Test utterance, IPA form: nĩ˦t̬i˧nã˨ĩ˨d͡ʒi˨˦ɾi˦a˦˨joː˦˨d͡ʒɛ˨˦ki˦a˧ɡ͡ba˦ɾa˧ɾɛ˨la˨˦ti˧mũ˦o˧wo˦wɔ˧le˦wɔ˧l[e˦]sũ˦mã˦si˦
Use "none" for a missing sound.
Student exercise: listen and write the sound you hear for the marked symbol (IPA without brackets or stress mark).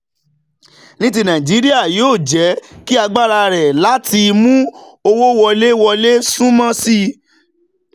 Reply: e˦